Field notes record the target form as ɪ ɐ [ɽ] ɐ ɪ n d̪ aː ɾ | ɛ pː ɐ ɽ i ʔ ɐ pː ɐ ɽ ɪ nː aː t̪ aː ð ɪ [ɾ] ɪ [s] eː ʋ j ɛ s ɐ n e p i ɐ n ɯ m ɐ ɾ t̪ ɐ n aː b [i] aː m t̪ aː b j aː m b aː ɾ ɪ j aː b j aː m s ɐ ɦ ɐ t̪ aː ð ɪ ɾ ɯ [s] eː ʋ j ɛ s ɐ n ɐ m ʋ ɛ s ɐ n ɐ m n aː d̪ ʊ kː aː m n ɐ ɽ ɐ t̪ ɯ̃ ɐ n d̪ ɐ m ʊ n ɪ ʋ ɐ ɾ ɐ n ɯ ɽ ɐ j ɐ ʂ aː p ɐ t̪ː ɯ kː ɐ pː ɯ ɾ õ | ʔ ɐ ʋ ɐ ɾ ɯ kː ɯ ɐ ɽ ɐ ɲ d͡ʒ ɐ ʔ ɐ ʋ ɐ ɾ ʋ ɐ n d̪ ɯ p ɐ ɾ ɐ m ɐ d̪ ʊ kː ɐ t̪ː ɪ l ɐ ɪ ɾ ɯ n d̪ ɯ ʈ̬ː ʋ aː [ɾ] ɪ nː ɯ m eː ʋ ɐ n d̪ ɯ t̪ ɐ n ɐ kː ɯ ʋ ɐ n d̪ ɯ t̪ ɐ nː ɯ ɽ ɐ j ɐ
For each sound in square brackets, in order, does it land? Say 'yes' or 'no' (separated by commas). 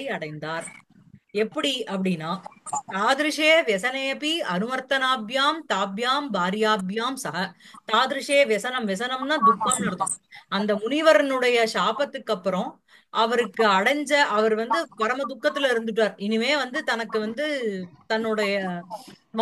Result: yes, yes, no, no, no, yes